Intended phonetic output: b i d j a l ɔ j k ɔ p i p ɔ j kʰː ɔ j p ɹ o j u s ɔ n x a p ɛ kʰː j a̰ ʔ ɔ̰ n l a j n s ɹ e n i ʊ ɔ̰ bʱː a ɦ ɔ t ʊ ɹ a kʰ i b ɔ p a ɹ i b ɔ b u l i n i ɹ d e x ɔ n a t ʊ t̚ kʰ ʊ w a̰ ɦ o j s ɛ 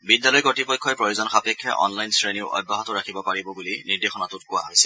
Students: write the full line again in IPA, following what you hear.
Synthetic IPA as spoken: b i d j a l ɔ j k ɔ t i p ɔ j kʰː ɔ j p ɹ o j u z ɔ n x a p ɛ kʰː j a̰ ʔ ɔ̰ n l a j n s ɹ e n i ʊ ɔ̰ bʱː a ɦ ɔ t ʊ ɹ a kʰ i b ɔ p a ɹ i b ɔ b u l i n i ɹ d e x ɔ n a t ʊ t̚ k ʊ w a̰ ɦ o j s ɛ